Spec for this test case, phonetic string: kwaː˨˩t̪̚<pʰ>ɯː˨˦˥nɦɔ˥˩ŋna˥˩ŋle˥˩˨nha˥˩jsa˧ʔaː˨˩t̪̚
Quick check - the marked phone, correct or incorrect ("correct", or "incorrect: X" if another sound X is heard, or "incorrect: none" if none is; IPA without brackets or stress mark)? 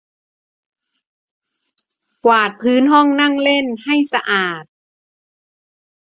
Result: correct